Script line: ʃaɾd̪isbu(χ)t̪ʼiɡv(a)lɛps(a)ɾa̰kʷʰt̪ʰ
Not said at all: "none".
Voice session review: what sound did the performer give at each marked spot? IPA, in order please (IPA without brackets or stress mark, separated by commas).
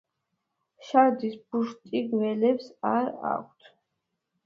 ʃ, ɛ, a